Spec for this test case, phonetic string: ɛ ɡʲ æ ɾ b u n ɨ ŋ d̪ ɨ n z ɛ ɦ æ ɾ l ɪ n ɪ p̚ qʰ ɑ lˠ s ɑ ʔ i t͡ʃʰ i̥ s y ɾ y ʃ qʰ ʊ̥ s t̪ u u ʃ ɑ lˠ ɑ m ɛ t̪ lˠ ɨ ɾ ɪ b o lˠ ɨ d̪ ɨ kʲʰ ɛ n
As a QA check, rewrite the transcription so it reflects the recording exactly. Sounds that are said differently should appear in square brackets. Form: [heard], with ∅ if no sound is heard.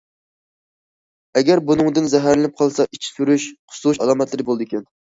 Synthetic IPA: ɛ ɡʲ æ ɾ b u n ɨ ŋ d̪ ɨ n z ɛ ɦ æ ɾ l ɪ n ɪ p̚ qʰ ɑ lˠ s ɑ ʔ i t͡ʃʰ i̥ s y ɾ y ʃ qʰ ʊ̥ s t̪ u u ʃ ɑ lˠ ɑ m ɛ t̪ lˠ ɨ ɾ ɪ b o lˠ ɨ d̪ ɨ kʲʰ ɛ n